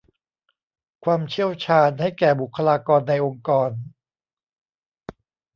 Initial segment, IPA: kʰ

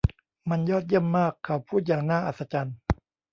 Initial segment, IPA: m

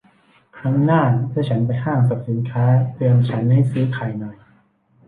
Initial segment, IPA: kʰ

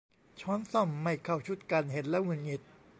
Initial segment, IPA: t͡ɕʰ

